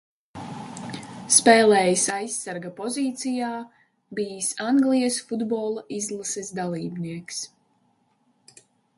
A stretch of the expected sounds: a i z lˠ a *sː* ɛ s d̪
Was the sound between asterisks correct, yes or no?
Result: no